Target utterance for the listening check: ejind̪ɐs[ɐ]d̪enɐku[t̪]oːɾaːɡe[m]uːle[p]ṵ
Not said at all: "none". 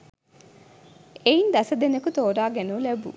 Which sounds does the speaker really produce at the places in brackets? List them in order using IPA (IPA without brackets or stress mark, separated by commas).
ɐ, t̪, n, b